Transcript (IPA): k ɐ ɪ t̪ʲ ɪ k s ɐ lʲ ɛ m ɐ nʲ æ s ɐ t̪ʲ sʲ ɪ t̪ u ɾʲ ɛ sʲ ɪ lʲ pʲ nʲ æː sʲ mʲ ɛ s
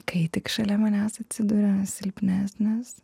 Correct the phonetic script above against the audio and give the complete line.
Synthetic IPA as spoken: k ɐ ɪ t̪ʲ ɪ k ʃ ɐ lʲ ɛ m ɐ nʲ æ s ɐ t̪ʲ sʲ ɪ d̪ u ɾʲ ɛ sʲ ɪ lʲ pʲ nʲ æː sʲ nʲ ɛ s